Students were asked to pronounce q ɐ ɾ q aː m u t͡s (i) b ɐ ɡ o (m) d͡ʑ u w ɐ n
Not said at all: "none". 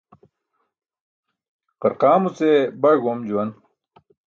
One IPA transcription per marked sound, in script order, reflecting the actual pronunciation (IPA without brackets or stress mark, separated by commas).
e, m